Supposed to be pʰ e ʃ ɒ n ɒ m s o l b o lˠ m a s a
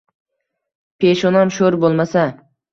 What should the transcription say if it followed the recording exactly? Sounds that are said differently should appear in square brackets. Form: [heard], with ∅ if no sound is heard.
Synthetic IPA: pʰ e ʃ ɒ n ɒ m [ʃ] o [ɾ] b o lˠ m a s a